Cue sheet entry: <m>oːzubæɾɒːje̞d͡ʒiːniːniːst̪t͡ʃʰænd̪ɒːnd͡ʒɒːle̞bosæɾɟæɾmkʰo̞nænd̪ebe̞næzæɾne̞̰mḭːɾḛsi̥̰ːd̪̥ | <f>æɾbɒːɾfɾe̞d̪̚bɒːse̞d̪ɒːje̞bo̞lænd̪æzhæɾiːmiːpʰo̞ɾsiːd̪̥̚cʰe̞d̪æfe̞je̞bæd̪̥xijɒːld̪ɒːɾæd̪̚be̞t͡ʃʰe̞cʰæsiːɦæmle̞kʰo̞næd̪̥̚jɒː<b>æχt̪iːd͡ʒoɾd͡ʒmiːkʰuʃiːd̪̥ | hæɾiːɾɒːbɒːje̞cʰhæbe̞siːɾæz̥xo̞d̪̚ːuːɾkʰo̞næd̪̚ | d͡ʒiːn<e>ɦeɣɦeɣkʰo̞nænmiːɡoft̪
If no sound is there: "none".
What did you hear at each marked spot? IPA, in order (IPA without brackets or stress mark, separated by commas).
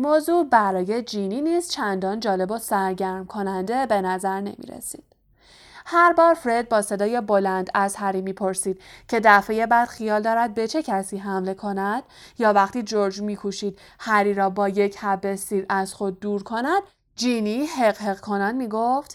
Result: m, h, v, i